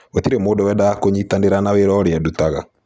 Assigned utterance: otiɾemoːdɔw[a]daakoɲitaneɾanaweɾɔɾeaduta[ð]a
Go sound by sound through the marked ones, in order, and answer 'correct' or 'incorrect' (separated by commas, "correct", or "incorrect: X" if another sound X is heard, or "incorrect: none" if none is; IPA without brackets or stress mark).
incorrect: ɛ, incorrect: ɣ